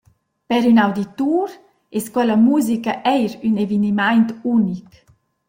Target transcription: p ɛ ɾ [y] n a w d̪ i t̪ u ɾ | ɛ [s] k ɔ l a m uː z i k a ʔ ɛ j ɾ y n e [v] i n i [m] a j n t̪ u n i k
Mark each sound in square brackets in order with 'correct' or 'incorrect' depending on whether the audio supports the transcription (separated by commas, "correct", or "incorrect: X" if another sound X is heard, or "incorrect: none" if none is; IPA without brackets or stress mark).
correct, correct, correct, correct